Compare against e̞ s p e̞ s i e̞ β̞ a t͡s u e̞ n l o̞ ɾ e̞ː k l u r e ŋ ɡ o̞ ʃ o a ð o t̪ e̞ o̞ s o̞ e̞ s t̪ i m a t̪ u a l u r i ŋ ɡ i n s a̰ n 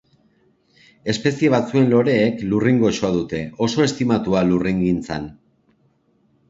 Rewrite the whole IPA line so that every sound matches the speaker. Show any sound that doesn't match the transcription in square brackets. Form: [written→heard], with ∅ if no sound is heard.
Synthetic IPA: e̞ s p e̞ s i e̞ β̞ a t͡s u e̞ n l o̞ ɾ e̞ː k l u r [e→i] ŋ ɡ o̞ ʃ o a ð [o→u] t̪ e̞ o̞ s o̞ e̞ s t̪ i m a t̪ u a l u r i ŋ ɡ i n [s→t͡s] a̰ n

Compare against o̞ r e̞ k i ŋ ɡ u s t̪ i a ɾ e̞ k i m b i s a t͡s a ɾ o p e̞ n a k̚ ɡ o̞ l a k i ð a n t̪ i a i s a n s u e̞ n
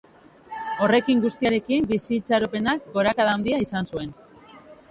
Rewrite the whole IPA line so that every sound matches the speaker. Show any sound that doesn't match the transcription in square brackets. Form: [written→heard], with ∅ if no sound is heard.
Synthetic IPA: o̞ r e̞ k i ŋ ɡ u s t̪ i a ɾ e̞ k i m b i s [a→i] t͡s a ɾ o p e̞ n a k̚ ɡ o̞ [l→ɾ] a k [i→a] ð a n [t̪→d̪] i a i s a n s u e̞ n

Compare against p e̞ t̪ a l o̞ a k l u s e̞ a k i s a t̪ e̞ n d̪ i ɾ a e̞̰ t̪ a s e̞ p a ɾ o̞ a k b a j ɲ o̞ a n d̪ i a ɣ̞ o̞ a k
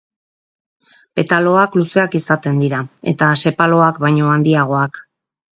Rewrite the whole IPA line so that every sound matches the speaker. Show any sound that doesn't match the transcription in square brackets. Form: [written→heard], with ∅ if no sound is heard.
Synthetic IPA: p e̞ t̪ a l o̞ a k l u s e̞ a k i s a t̪ e̞ n d̪ i ɾ a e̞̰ t̪ a s e̞ p a [ɾ→l] o̞ a k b a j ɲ o̞ a n d̪ i a ɣ̞ o̞ a k

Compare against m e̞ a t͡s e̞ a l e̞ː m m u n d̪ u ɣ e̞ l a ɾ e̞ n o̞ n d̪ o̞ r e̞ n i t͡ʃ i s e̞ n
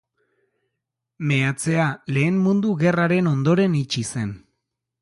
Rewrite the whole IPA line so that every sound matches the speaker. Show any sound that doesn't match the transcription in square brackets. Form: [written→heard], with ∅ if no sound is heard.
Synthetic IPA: m e̞ a t͡s e̞ a l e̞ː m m u n d̪ u ɣ e̞ [l→r] a ɾ e̞ n o̞ n d̪ o̞ [r→ɾ] e̞ n i t͡ʃ i s e̞ n

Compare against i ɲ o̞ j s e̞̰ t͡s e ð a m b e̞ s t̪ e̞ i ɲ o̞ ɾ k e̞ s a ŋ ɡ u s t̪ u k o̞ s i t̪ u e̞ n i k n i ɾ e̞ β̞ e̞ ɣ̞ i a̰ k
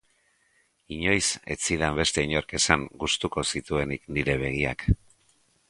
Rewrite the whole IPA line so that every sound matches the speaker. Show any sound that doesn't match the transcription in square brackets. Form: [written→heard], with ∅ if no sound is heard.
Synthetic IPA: i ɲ o̞ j s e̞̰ t͡s [e→i] ð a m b e̞ s t̪ e̞ i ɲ o̞ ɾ k e̞ s a ŋ ɡ u s t̪ u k o̞ s i t̪ u e̞ n i k n i ɾ e̞ β̞ e̞ ɣ̞ i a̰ k

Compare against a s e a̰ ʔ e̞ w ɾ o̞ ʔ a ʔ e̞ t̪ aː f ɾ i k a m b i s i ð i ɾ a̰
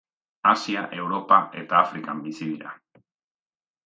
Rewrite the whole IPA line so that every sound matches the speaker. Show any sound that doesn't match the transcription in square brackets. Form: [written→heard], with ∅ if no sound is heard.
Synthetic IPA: a s [e→i] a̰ ʔ e̞ w ɾ o̞ [ʔ→p] a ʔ e̞ t̪ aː f ɾ i k a m b i s i ð i ɾ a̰

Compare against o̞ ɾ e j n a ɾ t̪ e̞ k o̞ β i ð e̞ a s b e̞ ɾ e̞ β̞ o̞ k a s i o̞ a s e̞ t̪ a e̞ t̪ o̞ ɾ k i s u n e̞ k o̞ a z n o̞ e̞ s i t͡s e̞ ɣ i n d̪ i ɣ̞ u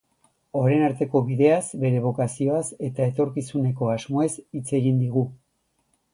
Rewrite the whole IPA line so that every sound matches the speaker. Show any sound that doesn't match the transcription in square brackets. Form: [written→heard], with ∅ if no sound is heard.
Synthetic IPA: o̞ ɾ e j n a ɾ t̪ e̞ k o̞ β i ð e̞ a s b e̞ ɾ e̞ β̞ o̞ k a s i o̞ a s e̞ t̪ a e̞ t̪ o̞ ɾ k i s u n e̞ k o̞ a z [n→m] o̞ e̞ s i t͡s e̞ ɣ i n d̪ i ɣ̞ u

